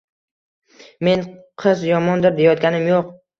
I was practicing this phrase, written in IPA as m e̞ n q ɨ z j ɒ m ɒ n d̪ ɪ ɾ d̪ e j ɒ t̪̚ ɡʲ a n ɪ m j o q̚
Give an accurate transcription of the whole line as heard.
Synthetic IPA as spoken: m e̞ n qʰ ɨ z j ɒ m ɒ n d̪ ɪ ɾ d̪ e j ɒ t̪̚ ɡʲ a n ɪ m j o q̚

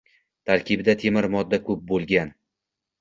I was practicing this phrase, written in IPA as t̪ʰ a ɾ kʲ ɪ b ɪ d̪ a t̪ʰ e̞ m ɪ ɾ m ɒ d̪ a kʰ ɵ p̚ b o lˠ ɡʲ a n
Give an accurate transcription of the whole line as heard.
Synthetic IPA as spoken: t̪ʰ a ɾ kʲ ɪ b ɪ d̪ a t̪ʰ e̞ m ɪ ɾ m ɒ d̪ː a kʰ ɵ p̚ b o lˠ ɡʲ a n

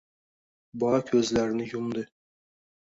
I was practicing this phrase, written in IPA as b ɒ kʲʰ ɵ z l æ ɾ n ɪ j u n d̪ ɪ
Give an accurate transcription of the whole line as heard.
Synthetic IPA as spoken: b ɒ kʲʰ ɵ z l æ ɾ n ɪ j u m d̪ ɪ

